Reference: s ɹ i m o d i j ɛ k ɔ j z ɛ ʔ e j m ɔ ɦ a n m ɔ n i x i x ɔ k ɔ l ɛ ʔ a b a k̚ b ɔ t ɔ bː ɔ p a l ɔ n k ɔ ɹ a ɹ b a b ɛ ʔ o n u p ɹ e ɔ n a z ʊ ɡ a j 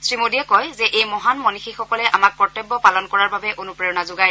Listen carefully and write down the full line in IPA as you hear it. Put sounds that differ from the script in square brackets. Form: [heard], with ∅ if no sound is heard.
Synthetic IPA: s ɹ i m o d i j ɛ k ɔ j z ɛ ʔ e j m ɔ ɦ a n m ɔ n i x i x ɔ k ɔ l ɛ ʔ a [m] a k̚ [p] ɔ t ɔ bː ɔ p a l ɔ n k ɔ ɹ a ɹ b a b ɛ ʔ o n u p ɹ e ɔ n a z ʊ ɡ a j